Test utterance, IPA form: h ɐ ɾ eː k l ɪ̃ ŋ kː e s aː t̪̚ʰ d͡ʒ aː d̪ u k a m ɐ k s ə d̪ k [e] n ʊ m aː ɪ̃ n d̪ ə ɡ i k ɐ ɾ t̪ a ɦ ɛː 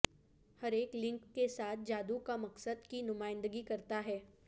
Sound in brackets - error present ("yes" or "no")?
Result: yes